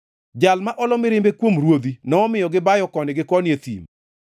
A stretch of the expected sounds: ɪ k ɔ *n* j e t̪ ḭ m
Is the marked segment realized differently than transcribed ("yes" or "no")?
no